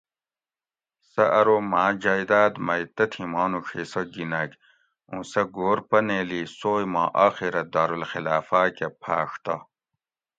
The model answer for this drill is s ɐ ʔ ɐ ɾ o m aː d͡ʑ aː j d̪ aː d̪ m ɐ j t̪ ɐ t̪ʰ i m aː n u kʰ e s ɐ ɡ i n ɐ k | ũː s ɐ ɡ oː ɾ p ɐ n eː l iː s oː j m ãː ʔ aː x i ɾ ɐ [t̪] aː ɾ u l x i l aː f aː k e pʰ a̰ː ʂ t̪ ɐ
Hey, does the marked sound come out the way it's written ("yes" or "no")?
no